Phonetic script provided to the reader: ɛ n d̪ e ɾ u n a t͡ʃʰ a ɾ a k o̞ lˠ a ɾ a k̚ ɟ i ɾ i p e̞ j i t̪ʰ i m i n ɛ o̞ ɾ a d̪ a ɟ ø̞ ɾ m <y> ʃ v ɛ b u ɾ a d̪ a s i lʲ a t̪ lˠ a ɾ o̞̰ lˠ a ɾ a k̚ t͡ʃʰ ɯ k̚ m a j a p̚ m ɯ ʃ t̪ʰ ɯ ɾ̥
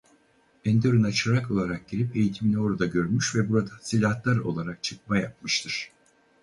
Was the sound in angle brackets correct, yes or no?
yes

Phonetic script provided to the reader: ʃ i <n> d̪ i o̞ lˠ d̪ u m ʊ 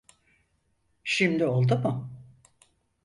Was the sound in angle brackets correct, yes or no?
no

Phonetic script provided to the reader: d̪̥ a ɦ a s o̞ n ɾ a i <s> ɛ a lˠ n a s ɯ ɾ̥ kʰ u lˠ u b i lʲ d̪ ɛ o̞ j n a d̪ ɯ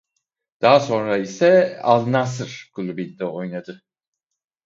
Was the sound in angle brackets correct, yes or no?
yes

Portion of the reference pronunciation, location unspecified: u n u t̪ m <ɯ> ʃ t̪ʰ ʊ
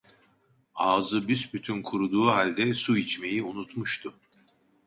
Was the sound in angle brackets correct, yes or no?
no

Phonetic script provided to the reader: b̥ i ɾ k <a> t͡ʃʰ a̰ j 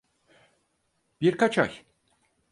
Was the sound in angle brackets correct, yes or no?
yes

